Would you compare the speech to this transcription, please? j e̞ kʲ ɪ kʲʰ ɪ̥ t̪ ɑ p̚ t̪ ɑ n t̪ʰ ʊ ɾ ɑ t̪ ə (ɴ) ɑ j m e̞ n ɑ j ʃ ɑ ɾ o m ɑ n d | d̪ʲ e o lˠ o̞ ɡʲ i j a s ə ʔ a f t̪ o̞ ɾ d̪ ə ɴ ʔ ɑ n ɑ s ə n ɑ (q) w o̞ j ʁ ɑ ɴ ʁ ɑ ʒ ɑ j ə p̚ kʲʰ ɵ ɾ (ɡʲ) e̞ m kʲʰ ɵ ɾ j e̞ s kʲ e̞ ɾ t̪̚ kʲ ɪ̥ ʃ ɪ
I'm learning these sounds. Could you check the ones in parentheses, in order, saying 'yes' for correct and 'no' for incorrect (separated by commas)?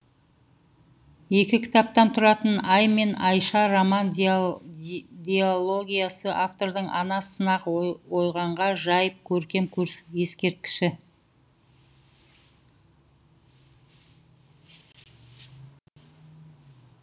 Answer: no, yes, no